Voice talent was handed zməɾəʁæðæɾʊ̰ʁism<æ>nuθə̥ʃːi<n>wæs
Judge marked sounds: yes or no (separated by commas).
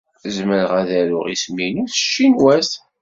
no, yes